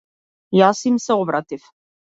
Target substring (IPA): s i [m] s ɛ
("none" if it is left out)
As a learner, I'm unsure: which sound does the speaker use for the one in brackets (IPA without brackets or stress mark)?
m